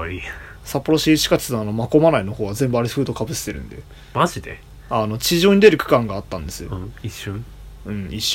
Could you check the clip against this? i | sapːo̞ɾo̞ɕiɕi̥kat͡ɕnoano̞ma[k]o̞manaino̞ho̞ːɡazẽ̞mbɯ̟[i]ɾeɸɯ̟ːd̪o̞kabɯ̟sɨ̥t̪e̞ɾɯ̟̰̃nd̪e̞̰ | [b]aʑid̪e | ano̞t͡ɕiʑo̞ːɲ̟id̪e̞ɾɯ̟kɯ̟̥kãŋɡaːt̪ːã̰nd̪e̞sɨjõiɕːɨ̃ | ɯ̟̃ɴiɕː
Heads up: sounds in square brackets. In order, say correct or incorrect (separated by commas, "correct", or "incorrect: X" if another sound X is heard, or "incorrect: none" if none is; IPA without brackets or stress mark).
correct, incorrect: a, incorrect: m